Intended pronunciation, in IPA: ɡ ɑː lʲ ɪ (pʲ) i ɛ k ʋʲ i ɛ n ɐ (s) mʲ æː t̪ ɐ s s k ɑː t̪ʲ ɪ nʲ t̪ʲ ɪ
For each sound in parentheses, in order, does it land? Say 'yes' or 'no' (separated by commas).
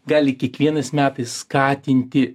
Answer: no, yes